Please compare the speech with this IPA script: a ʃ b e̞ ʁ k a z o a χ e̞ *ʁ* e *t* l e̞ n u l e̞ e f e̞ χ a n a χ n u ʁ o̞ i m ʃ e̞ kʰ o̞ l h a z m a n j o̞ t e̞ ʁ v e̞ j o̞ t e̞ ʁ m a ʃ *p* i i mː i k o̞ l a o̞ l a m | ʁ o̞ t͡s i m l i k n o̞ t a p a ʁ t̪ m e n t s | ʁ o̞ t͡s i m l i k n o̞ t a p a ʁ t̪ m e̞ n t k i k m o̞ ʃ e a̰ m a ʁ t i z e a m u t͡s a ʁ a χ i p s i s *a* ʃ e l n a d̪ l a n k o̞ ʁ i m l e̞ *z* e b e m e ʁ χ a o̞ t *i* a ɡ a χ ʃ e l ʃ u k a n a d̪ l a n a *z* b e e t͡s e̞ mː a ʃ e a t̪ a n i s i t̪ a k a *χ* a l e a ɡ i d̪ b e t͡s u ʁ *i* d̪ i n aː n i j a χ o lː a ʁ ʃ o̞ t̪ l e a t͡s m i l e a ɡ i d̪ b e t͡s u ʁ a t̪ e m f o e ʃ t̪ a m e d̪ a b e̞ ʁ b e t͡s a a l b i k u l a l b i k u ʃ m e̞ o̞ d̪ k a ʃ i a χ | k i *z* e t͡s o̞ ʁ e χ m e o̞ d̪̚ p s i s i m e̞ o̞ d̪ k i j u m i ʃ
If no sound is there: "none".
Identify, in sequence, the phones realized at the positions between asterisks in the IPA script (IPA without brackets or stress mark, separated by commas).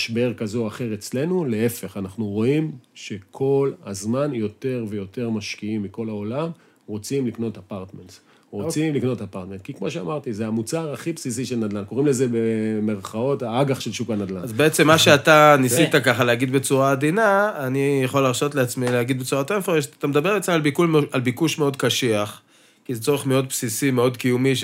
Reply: ʁ, t͡s, k, i, z, a, z, χ, a, z